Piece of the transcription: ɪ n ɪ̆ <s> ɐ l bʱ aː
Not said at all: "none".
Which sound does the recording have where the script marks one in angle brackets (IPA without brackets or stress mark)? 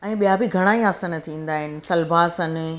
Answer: s